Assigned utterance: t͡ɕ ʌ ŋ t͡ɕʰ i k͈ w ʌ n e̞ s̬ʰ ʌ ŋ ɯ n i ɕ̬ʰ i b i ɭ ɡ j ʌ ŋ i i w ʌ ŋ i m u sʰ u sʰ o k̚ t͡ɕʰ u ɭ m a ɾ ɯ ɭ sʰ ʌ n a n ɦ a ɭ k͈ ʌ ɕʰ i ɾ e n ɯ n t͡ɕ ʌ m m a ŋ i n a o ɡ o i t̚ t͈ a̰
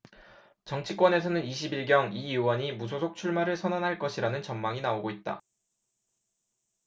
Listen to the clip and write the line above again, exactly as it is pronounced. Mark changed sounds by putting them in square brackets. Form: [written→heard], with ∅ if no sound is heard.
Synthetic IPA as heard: t͡ɕ ʌ ŋ t͡ɕʰ i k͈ w ʌ n e̞ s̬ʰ ʌ [ŋ→n] ɯ n i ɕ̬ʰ i b i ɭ ɡ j ʌ ŋ i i w ʌ [ŋ→ɲ] i m u sʰ [u→o] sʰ o k̚ t͡ɕʰ u ɭ m a ɾ ɯ ɭ sʰ ʌ n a n ɦ a ɭ k͈ ʌ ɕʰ i ɾ [e→a] n ɯ n t͡ɕ ʌ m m a ŋ i n a o ɡ o i t̚ t͈ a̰

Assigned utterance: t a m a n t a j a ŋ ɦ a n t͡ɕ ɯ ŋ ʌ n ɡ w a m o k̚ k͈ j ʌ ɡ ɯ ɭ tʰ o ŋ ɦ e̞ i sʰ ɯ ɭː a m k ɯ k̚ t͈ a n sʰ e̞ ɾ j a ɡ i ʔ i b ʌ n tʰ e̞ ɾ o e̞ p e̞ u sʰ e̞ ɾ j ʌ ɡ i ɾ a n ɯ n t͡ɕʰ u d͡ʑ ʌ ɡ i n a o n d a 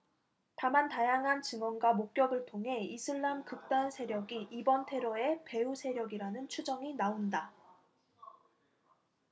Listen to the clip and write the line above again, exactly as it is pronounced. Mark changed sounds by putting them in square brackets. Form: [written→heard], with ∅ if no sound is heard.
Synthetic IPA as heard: t a m a n t a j a ŋ ɦ a n t͡ɕ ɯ ŋ ʌ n ɡ w a m o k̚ k͈ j ʌ ɡ ɯ ɭ tʰ o ŋ ɦ e̞ i sʰ ɯ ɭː a m k ɯ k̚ t͈ a n sʰ e̞ ɾ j [a→ʌ] ɡ i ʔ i b ʌ n tʰ e̞ ɾ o e̞ p e̞ u sʰ e̞ ɾ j ʌ ɡ i ɾ a n ɯ n t͡ɕʰ u d͡ʑ ʌ [ɡ→ŋ] i n a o n d a

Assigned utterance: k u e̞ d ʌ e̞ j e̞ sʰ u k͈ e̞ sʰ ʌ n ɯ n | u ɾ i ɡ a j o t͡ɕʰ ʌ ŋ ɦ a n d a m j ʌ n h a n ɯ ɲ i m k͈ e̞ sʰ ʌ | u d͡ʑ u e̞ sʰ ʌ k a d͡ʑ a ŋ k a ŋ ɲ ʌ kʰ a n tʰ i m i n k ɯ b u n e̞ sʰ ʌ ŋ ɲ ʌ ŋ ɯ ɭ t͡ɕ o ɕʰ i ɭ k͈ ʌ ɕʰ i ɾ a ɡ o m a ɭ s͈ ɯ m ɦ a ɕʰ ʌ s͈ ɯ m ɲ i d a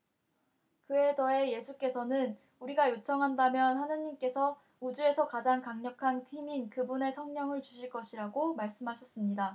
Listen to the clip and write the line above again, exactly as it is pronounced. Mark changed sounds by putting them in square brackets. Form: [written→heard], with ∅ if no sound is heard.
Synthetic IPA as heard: k [u→ɯ] e̞ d ʌ e̞ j e̞ sʰ u k͈ e̞ sʰ ʌ n ɯ n | u ɾ i ɡ a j o t͡ɕʰ ʌ ŋ ɦ a n d a m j ʌ n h a n ɯ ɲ i m k͈ e̞ sʰ ʌ | u d͡ʑ u e̞ sʰ ʌ k a d͡ʑ a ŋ k a ŋ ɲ ʌ kʰ a n tʰ i m i n k ɯ b u n e̞ sʰ ʌ ŋ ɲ ʌ ŋ ɯ ɭ t͡ɕ [o→u] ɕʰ i ɭ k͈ ʌ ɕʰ i ɾ a ɡ o m a ɭ s͈ ɯ m ɦ a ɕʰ ʌ s͈ ɯ m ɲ i d a

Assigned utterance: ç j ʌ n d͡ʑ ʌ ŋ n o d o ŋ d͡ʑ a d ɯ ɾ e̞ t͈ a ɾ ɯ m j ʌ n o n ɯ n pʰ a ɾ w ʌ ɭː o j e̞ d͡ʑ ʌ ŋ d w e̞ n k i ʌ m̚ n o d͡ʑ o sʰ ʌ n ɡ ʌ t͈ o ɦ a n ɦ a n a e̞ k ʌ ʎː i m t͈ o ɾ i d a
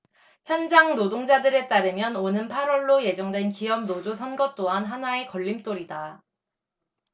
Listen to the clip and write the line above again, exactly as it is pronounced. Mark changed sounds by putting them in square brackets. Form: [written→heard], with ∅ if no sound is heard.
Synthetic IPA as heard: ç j ʌ n d͡ʑ [ʌ→a] ŋ n o d o ŋ d͡ʑ a d ɯ ɾ e̞ t͈ a ɾ ɯ m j ʌ n o n ɯ n pʰ a ɾ w ʌ ɭː o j e̞ d͡ʑ ʌ ŋ d w e̞ n k i ʌ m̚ n o d͡ʑ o sʰ ʌ n ɡ ʌ t͈ o ɦ a n ɦ a n a e̞ k ʌ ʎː i m t͈ o ɾ i d a

